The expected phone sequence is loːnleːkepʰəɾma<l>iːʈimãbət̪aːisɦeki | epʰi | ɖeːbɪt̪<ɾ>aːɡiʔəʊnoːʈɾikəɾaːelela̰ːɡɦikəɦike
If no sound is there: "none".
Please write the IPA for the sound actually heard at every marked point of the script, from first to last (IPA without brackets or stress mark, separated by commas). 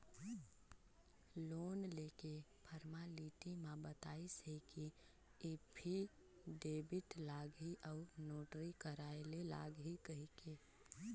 l, l